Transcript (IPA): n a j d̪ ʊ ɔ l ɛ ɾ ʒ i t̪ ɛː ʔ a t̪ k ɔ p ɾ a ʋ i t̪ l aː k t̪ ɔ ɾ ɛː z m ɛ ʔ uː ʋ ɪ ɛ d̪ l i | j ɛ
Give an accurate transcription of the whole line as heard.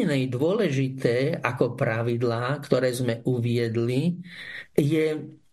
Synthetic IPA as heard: n ɛ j d̪ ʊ ɔ l ɛ ʒ i t̪ ɛː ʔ a k ɔ p ɾ a ʋ i d̪ l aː k t̪ ɔ ɾ ɛː z m ɛ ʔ u ʋ ɪ ɛ d̪ l i | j ɛ